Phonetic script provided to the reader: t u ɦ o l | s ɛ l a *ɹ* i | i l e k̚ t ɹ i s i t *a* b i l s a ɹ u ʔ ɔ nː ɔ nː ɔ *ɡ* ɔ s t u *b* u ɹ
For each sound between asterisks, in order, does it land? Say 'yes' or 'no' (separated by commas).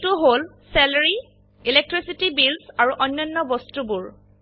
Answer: yes, no, no, yes